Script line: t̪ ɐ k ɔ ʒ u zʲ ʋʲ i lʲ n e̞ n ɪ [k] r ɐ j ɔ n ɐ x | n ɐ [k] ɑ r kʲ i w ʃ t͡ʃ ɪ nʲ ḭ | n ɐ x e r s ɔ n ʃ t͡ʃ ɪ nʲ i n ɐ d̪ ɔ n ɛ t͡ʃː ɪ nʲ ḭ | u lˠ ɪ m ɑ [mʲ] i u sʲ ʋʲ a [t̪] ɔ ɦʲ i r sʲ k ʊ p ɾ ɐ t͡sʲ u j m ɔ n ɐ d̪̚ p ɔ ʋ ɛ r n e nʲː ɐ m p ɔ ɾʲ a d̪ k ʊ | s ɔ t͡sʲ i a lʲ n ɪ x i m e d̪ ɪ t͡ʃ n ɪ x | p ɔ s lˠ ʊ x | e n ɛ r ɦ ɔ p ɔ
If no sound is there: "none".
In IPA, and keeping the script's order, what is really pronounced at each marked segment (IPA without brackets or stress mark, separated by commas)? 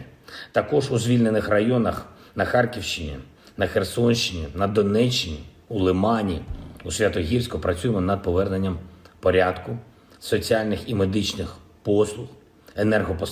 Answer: x, x, nʲ, t̪